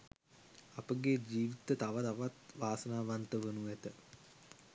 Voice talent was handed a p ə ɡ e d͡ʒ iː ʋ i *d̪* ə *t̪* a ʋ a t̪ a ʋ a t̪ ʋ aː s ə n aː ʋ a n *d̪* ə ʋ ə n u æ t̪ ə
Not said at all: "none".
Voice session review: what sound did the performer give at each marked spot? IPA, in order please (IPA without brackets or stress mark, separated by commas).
t̪, t̪, t̪